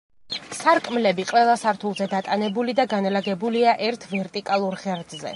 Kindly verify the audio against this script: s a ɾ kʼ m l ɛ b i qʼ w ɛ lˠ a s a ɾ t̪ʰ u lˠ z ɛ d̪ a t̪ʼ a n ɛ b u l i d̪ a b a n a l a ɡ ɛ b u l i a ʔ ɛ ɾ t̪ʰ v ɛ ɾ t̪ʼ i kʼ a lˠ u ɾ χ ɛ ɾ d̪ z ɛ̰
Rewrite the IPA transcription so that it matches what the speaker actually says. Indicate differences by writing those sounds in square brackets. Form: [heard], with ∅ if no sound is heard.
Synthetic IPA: s a ɾ kʼ m l ɛ b i qʼ w ɛ lˠ a s a ɾ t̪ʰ u lˠ z ɛ d̪ a t̪ʼ a n ɛ b u l i d̪ a [ɡ] a n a l a ɡ ɛ b u l i a ʔ ɛ ɾ t̪ʰ v ɛ ɾ t̪ʼ i kʼ a lˠ u ɾ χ ɛ ɾ d̪ z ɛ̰